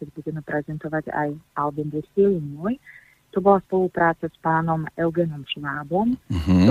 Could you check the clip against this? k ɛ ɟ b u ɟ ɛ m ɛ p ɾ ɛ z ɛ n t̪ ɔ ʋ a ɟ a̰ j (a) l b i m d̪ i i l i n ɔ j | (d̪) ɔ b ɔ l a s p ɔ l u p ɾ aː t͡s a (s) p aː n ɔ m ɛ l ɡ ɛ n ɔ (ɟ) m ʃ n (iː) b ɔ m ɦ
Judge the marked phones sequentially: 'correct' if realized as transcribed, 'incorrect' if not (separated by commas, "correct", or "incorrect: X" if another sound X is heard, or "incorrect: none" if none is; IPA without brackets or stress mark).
correct, incorrect: t̪, correct, incorrect: none, incorrect: aː